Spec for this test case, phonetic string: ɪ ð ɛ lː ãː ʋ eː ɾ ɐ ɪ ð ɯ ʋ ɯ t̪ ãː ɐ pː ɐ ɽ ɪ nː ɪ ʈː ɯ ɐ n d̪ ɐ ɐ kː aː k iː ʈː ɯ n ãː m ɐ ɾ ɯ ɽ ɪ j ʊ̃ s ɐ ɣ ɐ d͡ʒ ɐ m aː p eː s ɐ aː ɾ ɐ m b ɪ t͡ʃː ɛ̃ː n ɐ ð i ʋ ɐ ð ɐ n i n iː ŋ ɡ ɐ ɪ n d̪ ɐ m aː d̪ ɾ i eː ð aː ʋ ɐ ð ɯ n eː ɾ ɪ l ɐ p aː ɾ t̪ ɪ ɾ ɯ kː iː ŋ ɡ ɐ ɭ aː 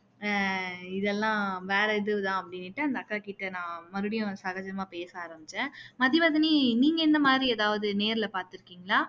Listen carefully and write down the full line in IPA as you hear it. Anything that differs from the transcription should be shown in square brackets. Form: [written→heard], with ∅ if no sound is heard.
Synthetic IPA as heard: ɪ ð ɛ lː ãː ʋ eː ɾ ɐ ɪ ð ɯ ʋ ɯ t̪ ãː ɐ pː ɐ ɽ ɪ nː ɪ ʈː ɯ ɐ n d̪ ɐ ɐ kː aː k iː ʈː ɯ n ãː m ɐ ɾ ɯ ɽ ɪ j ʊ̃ s ɐ ɣ ɐ d͡ʒ ɐ m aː p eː s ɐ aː ɾ ɐ m b ɪ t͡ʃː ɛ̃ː [n→m] ɐ ð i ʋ ɐ ð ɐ n i n iː ŋ ɡ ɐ ɪ n d̪ ɐ m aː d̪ ɾ i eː ð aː ʋ ɐ ð ɯ n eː ɾ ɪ l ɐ p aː ɾ t̪ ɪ ɾ ɯ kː iː ŋ ɡ ɐ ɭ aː

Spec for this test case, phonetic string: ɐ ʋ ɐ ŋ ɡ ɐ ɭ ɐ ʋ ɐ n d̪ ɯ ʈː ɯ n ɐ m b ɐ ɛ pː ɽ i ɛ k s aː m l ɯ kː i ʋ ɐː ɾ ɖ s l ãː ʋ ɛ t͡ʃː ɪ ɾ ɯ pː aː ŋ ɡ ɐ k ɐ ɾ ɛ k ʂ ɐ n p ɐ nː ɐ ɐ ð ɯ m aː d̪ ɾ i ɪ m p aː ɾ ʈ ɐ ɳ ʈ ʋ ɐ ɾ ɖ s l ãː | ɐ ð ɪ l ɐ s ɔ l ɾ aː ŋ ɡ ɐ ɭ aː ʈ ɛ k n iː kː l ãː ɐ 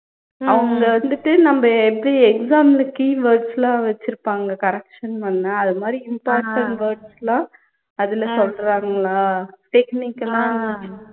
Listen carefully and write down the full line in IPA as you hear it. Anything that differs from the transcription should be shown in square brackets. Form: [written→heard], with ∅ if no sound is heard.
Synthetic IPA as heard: ɐ ʋ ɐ ŋ ɡ ɐ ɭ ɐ ʋ ɐ n d̪ ɯ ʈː ɯ n ɐ m b ɐ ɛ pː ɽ i ɛ k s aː m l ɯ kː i ʋ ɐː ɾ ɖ s l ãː ʋ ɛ t͡ʃː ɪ ɾ ɯ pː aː ŋ ɡ ɐ k ɐ ɾ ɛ k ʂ ɐ n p ɐ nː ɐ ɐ ð ɯ m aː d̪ ɾ i ɪ m p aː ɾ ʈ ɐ ɳ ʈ ʋ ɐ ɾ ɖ s l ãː | ɐ ð ɪ l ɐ s ɔ l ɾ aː ŋ ɡ ɐ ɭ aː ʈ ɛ k n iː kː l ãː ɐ

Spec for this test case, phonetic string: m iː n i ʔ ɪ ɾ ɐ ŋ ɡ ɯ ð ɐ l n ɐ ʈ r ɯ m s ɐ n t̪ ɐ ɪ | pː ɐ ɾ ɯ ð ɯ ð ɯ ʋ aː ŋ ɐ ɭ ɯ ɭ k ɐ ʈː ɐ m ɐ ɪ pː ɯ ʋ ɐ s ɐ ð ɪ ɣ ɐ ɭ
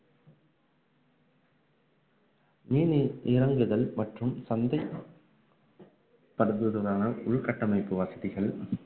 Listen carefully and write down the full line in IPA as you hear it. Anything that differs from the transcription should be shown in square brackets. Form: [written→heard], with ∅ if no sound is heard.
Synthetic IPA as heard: m iː n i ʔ ɪ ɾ ɐ ŋ ɡ ɯ ð ɐ l [n→m] ɐ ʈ r ɯ m s ɐ n [t̪→d̪] ɐ ɪ | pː ɐ ɾ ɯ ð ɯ ð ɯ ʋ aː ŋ ɐ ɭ [ɯ→ʊ] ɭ k ɐ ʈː ɐ m ɐ ɪ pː ɯ ʋ ɐ s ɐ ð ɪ ɣ ɐ ɭ

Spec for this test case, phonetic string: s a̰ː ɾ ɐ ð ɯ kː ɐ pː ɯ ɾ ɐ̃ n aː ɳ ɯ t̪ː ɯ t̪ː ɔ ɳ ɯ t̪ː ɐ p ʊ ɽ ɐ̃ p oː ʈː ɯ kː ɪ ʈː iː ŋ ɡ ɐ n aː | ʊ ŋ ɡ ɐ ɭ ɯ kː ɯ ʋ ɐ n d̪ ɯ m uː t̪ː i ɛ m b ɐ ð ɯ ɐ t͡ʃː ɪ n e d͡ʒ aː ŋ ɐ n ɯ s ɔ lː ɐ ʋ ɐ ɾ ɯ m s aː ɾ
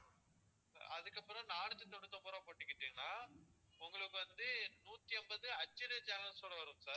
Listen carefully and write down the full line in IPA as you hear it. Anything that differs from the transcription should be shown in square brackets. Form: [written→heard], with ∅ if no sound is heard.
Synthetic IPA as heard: s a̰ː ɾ ɐ ð ɯ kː ɐ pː ɯ ɾ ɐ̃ n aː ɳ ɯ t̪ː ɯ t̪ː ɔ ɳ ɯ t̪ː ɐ p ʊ [ɽ→ɾ] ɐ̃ p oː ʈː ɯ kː ɪ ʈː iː ŋ ɡ ɐ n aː | ʊ ŋ ɡ ɐ ɭ ɯ kː ɯ ʋ ɐ n d̪ ɯ [m→n] uː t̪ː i ɛ m b ɐ ð ɯ ɐ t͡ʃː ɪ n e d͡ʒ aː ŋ ɐ n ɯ s ɔ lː ɐ ʋ ɐ ɾ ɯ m s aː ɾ

